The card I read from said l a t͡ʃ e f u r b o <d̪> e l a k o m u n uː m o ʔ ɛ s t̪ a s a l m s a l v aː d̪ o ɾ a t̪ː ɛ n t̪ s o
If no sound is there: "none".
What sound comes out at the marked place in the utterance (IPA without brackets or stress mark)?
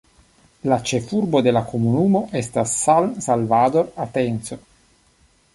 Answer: d̪